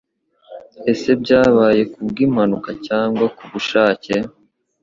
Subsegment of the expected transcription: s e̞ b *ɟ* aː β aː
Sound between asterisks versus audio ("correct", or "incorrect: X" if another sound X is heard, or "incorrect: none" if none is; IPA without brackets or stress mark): correct